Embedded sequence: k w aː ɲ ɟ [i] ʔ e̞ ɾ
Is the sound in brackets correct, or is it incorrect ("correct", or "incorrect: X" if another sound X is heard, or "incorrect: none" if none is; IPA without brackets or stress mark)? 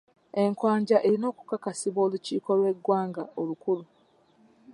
incorrect: a